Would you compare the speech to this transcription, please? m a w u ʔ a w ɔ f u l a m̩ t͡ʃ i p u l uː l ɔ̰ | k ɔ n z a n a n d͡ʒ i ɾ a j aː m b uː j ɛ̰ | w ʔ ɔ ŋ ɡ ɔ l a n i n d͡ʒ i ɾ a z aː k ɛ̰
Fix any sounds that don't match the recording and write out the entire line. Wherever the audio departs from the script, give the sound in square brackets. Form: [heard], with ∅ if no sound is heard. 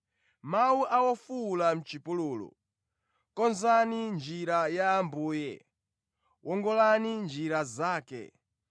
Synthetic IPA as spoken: m a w u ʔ a w ɔ f u l a m̩ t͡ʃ i p u l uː l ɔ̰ | k ɔ n z a n [i] n d͡ʒ i ɾ a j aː m b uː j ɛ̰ | w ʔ ɔ ŋ ɡ ɔ l a n i n d͡ʒ i ɾ a z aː k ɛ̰

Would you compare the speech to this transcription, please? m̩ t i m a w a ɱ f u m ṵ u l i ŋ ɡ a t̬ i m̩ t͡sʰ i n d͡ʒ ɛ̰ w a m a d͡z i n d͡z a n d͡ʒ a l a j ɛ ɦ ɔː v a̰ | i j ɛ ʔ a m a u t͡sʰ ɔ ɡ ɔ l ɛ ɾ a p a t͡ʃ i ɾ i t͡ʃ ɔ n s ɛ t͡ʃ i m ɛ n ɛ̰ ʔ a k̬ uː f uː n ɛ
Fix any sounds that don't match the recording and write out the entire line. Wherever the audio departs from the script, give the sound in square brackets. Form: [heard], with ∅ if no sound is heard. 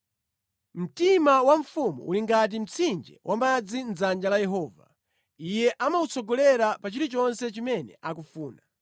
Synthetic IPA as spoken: m̩ t i m a w a ɱ f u m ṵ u l i ŋ ɡ a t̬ i m̩ t͡sʰ i n d͡ʒ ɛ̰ w a m a d͡z i n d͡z a n d͡ʒ a l a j ɛ ɦ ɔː v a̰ | i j ɛ ʔ a m a u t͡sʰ ɔ ɡ ɔ l ɛ ɾ a p a t͡ʃ i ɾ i t͡ʃ ɔ n s ɛ t͡ʃ i m ɛ n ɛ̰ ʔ a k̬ [u] f uː n [a]

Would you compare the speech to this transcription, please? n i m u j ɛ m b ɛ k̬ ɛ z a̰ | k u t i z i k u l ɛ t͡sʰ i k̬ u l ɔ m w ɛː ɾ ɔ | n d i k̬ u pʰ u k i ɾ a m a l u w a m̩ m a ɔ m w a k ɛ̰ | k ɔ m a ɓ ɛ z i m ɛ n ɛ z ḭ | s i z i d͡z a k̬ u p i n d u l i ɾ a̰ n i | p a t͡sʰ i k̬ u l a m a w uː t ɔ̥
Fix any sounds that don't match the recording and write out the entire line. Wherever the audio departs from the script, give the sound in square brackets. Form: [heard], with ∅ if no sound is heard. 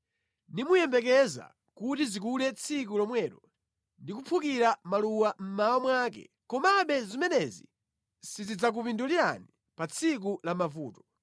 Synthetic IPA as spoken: n i m u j ɛ m b ɛ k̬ ɛ z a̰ | k u t i z i k u l ɛ t͡sʰ i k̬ u l ɔ m w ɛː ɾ ɔ | n d i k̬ u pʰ u k i ɾ a m a l u w a m̩ m a ɔ m w a k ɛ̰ | k ɔ m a ɓ ɛ z i m ɛ n ɛ z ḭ | s i z i d͡z a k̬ u p i n d u l i ɾ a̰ n i | p a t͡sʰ i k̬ u l a m a [v] uː t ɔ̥

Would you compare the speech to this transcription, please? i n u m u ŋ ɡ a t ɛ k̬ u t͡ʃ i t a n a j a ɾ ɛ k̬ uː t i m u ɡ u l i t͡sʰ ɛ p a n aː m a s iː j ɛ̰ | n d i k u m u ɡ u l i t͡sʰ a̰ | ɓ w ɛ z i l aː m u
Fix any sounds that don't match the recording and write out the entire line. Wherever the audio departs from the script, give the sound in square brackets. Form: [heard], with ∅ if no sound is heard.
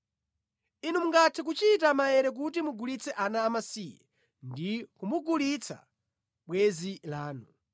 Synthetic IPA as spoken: i n u m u ŋ ɡ a [tʰ] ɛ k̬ u t͡ʃ i t a [m] a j [ɛ] ɾ ɛ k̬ [u] t i m u ɡ u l i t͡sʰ ɛ [ʔ] a n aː m a s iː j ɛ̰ | n d i k u m u ɡ u l i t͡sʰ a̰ | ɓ w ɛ z i l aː [n] u

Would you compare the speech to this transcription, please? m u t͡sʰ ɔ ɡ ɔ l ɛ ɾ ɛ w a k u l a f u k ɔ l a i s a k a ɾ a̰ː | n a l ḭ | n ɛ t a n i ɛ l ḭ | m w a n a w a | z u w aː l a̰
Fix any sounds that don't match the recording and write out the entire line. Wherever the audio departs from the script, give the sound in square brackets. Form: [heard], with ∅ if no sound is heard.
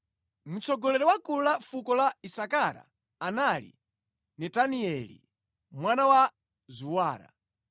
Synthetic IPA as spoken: m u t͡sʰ ɔ ɡ ɔ l ɛ ɾ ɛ w a k u l a f u k ɔ l a i s a k a ɾ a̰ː | n a l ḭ | n ɛ t a n i ɛ l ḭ | m w a n a w a | z u w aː [ɾ] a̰

